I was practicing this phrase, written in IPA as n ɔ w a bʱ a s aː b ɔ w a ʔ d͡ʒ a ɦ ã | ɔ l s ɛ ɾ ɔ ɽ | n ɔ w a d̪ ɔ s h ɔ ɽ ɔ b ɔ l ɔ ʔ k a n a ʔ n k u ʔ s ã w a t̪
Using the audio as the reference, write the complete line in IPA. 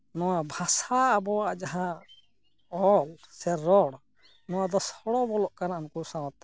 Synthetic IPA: n ɔ w a bʱ a s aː b ɔ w a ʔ d͡ʒ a ɦ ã | ɔ l s ɛ ɾ ɔ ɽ | n ɔ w a d̪ ɔ s h ɔ ɽ ɔ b ɔ l ɔ ʔ k a n a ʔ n k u s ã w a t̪